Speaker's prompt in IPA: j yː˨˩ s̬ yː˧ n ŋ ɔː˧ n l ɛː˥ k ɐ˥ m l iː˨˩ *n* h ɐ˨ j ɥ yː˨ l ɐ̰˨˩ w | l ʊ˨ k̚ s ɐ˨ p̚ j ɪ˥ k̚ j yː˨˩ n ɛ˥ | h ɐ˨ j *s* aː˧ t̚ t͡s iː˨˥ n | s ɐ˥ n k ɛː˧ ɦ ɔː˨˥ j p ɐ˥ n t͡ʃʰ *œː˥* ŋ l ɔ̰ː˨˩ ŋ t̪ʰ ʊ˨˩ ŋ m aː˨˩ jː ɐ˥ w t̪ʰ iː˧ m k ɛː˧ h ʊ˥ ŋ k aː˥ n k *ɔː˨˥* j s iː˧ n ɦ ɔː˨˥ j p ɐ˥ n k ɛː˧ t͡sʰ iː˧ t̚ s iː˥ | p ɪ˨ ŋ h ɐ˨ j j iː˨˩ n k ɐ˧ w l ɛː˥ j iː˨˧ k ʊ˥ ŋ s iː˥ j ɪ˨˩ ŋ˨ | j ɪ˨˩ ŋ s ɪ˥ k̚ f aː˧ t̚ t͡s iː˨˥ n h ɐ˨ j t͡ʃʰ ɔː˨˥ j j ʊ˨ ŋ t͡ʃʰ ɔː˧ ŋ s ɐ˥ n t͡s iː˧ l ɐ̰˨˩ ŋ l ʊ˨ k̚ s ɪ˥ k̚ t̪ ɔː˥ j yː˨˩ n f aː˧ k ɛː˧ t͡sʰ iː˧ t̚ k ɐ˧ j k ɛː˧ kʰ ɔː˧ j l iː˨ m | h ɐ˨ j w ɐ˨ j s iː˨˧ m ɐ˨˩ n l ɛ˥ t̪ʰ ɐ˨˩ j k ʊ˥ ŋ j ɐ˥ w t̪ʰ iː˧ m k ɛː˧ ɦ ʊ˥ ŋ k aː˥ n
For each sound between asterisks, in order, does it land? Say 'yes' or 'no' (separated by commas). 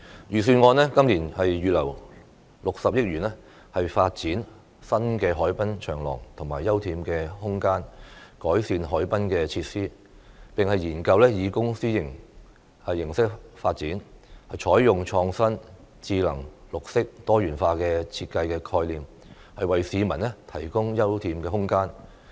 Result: yes, no, no, yes